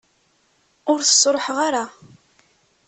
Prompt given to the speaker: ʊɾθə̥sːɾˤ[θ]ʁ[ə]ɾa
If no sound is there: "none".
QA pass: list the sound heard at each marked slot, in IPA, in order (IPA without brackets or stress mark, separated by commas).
ħ, a